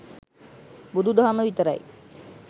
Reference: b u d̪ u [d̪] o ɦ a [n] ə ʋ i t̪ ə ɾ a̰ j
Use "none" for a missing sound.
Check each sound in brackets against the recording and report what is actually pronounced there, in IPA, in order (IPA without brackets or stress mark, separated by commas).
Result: d̪, m